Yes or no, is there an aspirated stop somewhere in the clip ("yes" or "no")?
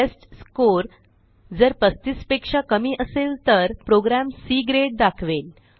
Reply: yes